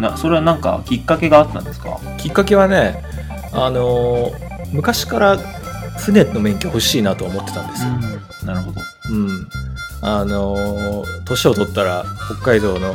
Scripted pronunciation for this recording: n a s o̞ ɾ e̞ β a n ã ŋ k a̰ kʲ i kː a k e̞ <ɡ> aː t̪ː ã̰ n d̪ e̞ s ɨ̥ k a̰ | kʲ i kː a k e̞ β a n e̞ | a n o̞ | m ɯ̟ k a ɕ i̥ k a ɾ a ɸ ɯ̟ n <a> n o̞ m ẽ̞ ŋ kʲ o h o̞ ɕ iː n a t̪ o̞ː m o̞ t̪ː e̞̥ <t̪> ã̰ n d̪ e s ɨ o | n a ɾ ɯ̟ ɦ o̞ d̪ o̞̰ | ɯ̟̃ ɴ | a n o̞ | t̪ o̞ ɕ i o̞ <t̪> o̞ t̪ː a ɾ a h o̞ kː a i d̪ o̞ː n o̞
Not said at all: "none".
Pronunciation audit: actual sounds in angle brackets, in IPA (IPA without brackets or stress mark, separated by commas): ɡ, e, t̪, t̪